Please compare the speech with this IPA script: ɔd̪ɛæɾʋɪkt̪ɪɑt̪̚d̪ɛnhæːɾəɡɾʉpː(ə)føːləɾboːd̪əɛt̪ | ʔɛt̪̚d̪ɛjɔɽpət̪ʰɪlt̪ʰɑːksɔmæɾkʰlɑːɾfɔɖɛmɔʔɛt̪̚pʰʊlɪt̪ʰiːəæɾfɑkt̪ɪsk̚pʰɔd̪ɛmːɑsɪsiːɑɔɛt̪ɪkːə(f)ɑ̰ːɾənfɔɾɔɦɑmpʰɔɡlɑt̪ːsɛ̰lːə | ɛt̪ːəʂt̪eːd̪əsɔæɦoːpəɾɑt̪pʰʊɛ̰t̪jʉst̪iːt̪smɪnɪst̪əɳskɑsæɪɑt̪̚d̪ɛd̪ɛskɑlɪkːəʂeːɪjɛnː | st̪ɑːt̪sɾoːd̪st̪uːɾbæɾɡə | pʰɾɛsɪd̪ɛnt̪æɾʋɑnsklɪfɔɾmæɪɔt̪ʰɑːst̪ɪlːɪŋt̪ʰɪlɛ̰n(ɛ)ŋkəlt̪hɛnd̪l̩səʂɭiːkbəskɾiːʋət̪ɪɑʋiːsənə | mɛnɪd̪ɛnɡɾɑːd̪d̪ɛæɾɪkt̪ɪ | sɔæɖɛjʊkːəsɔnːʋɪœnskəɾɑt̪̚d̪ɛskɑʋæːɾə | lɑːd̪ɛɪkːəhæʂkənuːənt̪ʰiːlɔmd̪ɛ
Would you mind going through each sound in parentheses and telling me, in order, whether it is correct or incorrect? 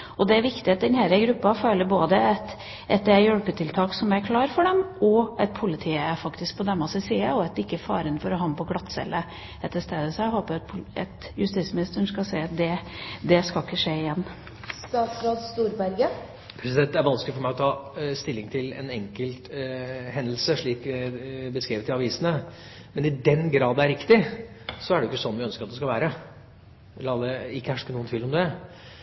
incorrect, correct, correct

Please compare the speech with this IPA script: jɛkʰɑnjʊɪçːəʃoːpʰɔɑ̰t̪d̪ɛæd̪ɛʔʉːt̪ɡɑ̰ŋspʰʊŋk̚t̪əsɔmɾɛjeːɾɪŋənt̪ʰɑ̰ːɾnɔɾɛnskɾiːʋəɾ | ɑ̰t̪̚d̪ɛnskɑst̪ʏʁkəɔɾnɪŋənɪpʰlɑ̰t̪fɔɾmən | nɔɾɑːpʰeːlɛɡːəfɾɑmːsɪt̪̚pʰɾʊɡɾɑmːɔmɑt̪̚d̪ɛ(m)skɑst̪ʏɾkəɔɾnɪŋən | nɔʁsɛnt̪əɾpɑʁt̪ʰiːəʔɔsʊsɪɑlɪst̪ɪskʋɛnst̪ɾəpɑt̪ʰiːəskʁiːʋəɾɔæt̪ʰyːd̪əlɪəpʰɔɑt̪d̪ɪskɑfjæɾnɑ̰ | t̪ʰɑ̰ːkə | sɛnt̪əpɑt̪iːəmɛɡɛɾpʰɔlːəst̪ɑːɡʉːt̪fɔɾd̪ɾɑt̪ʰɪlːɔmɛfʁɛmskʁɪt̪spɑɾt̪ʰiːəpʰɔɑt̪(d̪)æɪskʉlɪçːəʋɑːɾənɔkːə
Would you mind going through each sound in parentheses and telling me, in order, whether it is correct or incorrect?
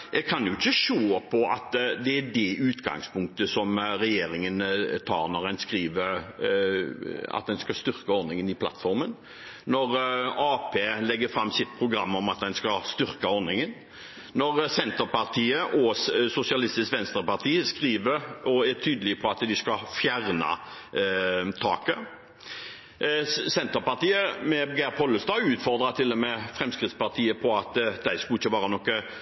incorrect, correct

